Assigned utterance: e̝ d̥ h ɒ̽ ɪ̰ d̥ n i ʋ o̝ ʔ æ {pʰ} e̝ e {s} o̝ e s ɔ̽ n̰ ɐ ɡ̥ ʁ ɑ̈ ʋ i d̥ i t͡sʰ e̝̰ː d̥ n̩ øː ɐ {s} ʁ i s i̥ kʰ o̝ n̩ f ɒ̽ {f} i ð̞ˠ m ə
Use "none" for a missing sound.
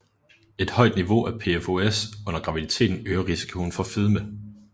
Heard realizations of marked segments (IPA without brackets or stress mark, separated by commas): pʰ, f, none, f